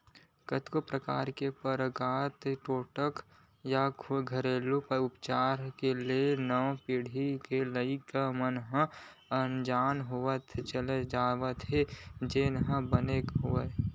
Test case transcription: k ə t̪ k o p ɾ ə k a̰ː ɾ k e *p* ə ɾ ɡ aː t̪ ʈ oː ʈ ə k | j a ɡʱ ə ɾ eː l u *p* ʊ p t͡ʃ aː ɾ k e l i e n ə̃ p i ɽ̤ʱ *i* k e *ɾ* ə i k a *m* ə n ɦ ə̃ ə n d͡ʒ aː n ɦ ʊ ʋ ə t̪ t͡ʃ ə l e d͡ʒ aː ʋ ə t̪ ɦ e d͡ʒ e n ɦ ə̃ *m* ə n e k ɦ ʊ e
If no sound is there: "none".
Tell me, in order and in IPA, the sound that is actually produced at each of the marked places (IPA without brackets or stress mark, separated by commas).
p, p, i, l, m, b